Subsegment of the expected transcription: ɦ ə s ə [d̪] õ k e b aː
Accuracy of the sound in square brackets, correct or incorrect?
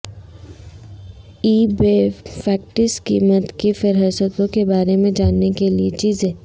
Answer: incorrect